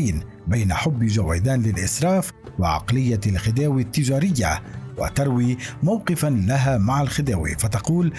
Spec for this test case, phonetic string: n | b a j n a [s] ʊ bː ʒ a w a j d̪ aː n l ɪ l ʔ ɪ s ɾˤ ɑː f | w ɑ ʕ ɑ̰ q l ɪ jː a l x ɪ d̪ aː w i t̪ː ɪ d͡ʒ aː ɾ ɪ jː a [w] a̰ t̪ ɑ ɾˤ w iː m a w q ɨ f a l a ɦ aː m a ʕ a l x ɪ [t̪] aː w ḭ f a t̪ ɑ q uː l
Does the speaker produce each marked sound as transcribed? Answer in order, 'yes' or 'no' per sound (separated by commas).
no, yes, no